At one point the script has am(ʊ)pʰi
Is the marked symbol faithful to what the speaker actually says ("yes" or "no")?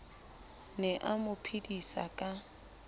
yes